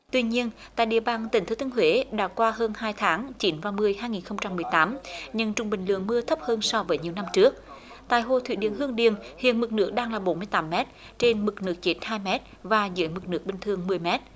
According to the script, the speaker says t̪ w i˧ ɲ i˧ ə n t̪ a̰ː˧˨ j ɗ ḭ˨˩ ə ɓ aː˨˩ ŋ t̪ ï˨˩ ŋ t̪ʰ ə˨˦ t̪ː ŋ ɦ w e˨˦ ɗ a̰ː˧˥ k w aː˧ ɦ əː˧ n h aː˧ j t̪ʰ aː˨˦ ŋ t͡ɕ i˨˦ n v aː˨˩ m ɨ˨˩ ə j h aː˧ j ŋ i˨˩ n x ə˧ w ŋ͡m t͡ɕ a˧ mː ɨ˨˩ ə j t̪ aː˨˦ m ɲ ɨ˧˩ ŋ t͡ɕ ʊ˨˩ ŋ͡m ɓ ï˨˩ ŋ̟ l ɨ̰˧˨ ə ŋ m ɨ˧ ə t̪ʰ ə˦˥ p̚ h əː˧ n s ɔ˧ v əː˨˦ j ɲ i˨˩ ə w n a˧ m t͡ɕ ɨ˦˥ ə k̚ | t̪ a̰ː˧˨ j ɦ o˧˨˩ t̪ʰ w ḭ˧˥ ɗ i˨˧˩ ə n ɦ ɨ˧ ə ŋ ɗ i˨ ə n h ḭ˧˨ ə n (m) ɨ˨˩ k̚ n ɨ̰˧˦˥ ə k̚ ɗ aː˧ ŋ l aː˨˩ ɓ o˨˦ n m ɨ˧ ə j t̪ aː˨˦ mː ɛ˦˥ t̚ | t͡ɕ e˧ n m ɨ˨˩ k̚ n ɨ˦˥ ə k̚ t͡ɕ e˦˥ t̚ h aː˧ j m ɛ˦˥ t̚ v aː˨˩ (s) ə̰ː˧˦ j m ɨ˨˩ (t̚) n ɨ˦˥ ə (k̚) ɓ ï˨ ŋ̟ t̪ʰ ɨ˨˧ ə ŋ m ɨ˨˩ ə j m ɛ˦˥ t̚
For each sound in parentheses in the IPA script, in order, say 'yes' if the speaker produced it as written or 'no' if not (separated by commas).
yes, no, no, yes